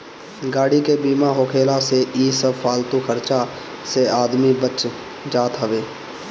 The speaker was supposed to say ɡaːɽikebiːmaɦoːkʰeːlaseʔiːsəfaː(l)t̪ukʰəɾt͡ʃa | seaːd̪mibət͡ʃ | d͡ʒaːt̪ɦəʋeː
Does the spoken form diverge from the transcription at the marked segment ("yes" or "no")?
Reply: no